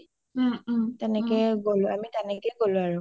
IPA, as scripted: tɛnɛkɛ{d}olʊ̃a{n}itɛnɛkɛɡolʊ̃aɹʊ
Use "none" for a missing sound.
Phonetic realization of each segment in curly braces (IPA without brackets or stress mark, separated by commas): ɡ, m